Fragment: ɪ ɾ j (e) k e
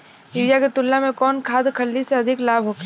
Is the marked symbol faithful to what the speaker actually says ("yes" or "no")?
no